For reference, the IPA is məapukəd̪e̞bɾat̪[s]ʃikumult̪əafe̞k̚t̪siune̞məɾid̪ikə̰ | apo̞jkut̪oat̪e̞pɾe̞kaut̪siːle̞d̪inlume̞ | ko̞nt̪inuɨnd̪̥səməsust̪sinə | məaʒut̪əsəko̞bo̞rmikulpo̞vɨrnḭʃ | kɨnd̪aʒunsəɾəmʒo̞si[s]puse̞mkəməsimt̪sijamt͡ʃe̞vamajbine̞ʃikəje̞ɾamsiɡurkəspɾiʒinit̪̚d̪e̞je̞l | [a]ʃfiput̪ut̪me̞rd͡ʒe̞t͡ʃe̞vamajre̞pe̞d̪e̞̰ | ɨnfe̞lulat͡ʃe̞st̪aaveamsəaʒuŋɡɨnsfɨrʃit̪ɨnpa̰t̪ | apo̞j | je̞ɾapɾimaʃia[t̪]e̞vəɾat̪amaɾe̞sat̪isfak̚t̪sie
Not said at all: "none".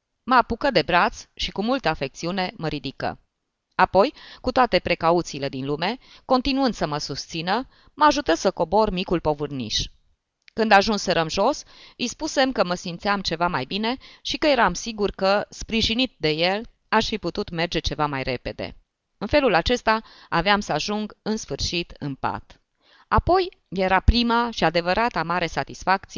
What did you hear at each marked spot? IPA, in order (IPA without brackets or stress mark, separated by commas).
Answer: s, s, a, d̪